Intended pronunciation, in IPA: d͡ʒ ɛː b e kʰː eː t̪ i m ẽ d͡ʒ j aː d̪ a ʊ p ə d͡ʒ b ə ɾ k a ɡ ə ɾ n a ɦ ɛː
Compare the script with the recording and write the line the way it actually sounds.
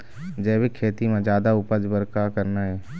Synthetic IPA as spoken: d͡ʒ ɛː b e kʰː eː t̪ i m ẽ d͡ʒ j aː d̪ a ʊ p ə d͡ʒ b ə ɾ k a k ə ɾ n a ɦ ɛː